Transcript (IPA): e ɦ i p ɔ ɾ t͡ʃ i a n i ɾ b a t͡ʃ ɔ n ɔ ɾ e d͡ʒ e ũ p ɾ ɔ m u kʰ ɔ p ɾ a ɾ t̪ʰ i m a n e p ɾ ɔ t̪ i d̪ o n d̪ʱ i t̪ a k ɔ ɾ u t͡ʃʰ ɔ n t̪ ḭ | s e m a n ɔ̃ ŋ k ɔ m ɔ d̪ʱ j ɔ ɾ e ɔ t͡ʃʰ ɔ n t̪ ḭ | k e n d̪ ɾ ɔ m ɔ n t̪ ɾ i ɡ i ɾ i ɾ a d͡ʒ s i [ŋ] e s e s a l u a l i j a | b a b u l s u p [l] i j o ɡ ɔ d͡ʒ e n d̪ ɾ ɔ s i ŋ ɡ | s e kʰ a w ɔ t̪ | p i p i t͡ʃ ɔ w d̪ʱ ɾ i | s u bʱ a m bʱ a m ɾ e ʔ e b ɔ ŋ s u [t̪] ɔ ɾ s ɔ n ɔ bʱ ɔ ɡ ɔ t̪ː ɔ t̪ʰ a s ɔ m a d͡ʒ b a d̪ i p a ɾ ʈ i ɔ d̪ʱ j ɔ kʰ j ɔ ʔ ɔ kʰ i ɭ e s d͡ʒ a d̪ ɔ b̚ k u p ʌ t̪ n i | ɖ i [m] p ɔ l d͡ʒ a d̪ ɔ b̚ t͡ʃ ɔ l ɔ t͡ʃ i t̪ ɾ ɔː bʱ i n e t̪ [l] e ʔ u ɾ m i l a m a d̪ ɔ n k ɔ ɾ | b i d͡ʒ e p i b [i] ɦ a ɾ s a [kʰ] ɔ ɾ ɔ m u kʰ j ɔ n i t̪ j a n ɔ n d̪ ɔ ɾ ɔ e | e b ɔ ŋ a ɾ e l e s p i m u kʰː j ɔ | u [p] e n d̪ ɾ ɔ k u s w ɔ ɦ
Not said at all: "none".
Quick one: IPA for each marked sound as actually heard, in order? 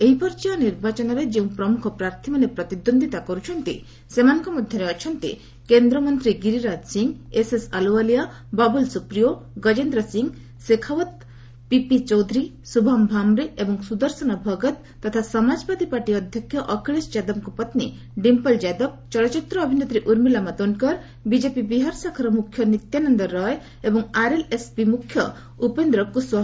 ŋ, ɾ, d̪, m, ɾ, i, kʰ, p

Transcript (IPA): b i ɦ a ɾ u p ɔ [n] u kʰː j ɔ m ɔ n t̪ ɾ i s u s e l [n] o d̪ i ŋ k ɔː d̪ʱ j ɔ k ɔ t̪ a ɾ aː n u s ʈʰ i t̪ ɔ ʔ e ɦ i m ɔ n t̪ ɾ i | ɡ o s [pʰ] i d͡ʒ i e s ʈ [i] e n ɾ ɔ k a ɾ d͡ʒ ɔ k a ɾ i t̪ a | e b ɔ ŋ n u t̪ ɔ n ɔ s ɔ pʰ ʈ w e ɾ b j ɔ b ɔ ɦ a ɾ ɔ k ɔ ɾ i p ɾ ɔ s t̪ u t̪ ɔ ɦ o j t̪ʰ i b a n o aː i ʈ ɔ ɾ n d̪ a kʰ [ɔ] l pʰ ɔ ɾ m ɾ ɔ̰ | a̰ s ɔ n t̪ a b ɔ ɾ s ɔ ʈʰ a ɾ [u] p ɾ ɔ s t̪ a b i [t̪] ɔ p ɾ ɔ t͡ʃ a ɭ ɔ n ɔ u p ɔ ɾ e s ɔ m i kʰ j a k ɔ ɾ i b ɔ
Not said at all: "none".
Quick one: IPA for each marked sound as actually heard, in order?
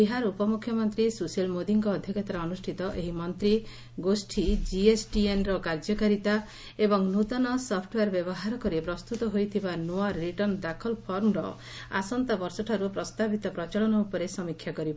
m, m, ʈʰ, i, ɔ, u, t̪

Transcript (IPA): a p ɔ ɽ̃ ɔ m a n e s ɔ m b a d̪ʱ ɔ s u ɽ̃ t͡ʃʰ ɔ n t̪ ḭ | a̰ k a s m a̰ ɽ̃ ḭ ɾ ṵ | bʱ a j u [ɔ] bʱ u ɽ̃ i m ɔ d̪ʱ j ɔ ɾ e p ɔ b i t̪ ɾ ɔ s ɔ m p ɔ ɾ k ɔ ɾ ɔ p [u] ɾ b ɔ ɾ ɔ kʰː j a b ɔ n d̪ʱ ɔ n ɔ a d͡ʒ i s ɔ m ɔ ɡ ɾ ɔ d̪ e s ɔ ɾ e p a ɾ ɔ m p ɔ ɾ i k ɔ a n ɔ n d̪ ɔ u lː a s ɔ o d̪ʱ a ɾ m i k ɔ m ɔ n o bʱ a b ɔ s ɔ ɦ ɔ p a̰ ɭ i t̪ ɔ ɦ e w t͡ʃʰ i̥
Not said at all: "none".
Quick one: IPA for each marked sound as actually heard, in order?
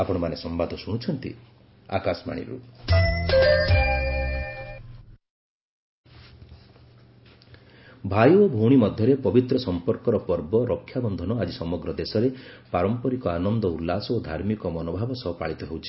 o, ɔ

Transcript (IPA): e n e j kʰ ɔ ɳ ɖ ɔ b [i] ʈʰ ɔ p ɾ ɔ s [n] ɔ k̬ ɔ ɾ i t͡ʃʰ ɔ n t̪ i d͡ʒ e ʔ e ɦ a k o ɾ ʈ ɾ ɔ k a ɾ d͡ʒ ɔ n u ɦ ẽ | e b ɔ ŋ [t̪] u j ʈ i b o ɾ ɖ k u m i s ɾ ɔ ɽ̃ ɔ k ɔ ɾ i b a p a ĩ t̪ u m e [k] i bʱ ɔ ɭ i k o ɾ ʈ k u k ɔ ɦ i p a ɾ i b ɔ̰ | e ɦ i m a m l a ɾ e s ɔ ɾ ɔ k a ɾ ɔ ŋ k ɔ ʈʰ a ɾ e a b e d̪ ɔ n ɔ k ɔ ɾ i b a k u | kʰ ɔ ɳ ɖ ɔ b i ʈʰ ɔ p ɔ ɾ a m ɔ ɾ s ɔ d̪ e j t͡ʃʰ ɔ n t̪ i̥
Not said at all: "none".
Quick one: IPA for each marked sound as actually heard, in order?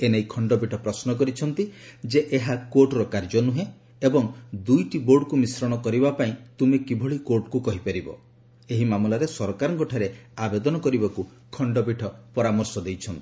i, n, d̪, k

